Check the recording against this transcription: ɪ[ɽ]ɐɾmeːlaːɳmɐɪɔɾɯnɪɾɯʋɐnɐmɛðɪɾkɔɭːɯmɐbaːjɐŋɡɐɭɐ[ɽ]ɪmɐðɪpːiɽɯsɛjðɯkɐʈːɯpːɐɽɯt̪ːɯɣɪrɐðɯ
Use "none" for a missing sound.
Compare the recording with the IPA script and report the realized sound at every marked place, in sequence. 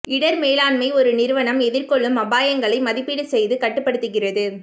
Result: ɽ, none

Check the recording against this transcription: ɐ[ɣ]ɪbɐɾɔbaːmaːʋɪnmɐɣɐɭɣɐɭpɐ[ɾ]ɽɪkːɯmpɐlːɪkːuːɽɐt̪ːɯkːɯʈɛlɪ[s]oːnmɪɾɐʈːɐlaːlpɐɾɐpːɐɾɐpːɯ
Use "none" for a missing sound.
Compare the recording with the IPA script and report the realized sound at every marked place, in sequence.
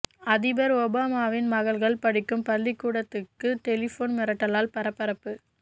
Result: ð, none, f

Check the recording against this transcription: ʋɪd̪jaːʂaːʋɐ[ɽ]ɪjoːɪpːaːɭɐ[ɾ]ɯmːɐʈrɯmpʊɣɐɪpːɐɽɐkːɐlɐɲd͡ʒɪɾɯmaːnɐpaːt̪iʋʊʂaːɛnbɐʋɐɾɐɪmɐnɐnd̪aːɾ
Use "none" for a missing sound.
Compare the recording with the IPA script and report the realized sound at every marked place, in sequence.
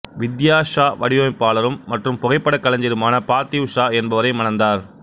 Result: ɽ, ɾ

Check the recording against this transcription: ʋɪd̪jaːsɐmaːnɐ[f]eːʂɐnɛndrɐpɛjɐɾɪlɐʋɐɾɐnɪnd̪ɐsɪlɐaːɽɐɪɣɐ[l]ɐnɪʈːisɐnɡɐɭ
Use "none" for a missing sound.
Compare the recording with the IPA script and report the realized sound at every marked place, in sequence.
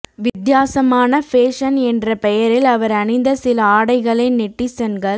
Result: f, ɭ

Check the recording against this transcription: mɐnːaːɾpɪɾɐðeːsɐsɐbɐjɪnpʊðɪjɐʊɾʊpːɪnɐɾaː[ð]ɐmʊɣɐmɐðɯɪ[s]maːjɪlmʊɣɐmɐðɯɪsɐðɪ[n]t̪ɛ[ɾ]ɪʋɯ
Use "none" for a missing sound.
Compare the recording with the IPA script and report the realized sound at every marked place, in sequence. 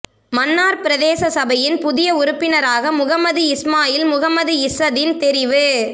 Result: ɣ, s, n, ɾ

